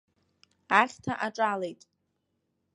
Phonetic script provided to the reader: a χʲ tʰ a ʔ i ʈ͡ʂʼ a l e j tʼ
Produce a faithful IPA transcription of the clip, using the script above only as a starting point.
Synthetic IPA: a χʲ tʰ a ʔ a ʈ͡ʂʼ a l e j tʼ